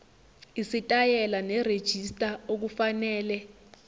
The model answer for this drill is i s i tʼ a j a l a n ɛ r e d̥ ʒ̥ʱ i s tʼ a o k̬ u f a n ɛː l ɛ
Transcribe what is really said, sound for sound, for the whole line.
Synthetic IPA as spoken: i s i tʼ a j ɛ l a n ɛ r e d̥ ʒ̥ʱ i s tʼ a o k̬ u f a n ɛː l ɛ